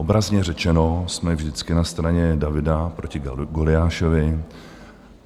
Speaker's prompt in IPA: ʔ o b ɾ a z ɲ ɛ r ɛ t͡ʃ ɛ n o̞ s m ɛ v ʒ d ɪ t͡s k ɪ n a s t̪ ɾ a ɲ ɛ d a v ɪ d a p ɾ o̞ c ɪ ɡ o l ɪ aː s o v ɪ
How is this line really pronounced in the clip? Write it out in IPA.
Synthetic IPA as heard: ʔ o b ɾ a z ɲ ɛ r ɛ t͡ʃ ɛ n o̞ s m ɛ v ʒ d ɪ t͡s k ɪ n a s t̪ ɾ a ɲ ɛ d a v ɪ d a p ɾ o̞ c ɪ ɡ o l ɪ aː ʃ o v ɪ